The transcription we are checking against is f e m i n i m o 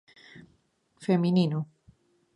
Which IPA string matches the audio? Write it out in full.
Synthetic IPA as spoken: f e m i n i n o